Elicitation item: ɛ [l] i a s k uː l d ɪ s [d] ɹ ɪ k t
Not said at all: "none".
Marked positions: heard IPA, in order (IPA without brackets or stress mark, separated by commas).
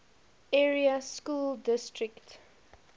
ɹ, t